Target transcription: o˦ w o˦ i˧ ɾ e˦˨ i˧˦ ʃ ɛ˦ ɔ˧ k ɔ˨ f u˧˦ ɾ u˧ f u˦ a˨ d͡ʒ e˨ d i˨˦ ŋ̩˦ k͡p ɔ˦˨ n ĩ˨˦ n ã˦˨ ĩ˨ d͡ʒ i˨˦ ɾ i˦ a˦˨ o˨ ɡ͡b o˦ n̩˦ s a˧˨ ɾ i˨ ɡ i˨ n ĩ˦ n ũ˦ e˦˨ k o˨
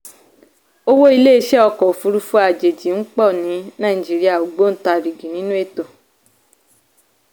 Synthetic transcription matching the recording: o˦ w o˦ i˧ l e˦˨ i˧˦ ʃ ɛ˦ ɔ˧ k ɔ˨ f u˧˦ ɾ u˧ f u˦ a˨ d͡ʒ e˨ d͡ʒ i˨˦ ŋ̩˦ k͡p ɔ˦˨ n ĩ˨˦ n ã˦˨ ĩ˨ d͡ʒ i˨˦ ɾ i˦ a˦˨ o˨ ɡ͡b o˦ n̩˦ t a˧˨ ɾ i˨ ɡ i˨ n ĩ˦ n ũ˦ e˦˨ t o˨